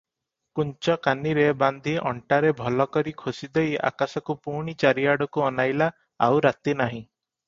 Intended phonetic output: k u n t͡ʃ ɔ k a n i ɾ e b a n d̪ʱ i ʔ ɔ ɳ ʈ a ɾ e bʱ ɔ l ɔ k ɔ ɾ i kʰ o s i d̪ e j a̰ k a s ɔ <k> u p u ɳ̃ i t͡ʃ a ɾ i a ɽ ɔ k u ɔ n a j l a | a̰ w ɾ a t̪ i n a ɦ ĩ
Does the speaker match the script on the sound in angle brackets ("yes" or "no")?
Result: yes